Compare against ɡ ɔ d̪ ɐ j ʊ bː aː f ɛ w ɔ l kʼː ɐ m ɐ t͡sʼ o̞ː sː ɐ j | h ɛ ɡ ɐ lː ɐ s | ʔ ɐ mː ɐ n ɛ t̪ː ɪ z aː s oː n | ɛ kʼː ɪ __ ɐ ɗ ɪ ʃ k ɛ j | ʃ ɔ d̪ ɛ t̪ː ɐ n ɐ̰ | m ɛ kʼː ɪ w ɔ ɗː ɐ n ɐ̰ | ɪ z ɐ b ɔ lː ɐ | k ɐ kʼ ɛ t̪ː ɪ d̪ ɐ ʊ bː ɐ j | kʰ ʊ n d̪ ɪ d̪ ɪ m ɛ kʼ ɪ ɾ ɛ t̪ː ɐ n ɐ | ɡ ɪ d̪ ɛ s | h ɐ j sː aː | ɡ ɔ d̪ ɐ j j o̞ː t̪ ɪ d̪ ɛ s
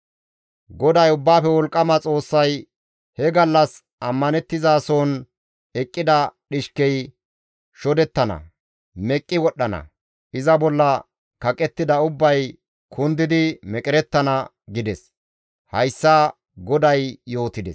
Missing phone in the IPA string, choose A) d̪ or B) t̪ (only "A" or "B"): A